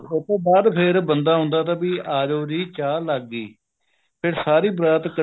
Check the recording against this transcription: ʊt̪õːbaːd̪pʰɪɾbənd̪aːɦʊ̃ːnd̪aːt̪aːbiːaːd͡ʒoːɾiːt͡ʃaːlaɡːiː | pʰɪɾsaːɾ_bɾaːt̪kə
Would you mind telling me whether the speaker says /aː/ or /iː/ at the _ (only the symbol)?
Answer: iː